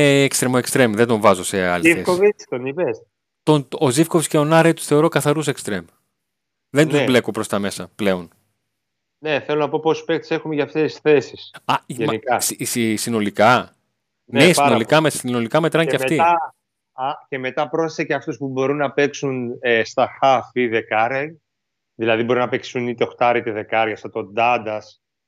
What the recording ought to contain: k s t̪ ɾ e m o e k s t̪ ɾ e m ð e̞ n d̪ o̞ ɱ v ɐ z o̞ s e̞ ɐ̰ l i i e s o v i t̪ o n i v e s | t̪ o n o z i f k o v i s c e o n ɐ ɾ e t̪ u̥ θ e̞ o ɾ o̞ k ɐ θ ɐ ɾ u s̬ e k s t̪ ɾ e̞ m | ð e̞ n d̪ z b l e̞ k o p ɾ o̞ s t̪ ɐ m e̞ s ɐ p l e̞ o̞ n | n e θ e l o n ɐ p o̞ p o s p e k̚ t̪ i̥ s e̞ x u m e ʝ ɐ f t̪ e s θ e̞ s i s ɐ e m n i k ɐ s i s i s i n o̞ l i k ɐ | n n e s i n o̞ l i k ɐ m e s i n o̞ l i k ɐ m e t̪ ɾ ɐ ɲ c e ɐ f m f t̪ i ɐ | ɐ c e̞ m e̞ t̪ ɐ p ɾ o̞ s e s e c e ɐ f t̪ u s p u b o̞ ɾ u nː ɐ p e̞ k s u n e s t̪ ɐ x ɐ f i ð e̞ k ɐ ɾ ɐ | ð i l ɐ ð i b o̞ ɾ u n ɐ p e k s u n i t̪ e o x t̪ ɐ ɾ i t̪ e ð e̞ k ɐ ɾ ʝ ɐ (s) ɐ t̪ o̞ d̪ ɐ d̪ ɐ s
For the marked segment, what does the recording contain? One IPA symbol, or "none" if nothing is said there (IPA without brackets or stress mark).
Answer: s